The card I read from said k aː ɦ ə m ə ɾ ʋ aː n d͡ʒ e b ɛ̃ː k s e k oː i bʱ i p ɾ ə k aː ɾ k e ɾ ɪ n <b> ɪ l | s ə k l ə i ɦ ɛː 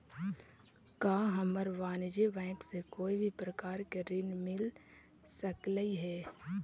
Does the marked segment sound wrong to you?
yes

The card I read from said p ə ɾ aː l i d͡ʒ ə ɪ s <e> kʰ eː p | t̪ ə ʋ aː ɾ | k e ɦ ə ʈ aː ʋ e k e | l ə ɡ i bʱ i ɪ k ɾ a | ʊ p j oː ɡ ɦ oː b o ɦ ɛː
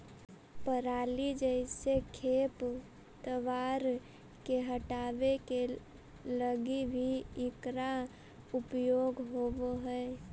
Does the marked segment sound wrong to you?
no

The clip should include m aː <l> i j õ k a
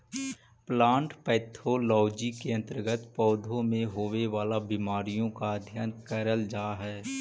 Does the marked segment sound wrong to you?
yes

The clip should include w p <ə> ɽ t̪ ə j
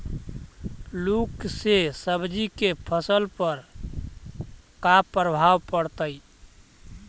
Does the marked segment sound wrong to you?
no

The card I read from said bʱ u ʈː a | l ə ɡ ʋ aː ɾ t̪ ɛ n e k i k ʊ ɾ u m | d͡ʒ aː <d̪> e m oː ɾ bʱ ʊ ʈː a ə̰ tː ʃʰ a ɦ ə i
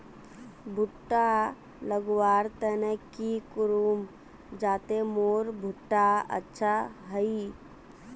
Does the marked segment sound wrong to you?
yes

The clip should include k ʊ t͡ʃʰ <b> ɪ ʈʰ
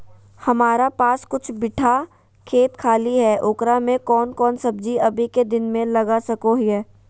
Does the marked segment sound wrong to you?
no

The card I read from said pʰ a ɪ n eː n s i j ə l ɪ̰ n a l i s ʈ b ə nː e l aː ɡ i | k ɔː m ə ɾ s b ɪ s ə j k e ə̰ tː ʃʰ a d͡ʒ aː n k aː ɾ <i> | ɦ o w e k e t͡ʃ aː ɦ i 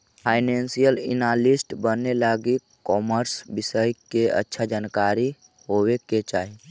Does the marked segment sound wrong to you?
no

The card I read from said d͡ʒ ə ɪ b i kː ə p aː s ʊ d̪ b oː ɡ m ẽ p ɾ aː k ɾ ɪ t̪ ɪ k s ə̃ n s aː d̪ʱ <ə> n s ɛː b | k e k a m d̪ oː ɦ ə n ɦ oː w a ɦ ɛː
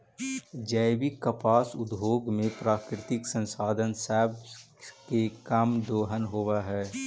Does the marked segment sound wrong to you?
no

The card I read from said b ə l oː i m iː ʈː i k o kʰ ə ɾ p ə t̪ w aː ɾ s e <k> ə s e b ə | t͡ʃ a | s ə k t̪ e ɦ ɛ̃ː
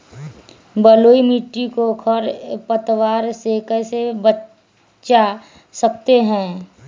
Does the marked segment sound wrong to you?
no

